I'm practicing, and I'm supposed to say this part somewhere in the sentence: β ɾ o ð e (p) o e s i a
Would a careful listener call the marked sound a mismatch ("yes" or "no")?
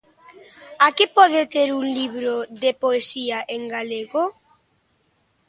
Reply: no